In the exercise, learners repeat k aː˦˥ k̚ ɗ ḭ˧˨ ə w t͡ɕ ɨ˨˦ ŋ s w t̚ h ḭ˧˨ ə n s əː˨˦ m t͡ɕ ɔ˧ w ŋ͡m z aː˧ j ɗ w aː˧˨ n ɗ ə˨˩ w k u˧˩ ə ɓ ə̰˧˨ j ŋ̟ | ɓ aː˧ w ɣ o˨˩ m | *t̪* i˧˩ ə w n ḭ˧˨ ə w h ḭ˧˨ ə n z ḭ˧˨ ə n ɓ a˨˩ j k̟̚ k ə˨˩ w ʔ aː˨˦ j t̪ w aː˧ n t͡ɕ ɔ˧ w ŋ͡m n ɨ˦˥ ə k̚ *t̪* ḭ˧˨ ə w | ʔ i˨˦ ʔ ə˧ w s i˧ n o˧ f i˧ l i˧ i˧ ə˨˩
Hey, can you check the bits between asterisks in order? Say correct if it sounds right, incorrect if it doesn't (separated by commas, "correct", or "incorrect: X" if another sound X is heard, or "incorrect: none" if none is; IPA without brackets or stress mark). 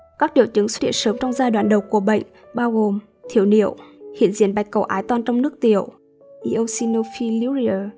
incorrect: t̪ʰ, correct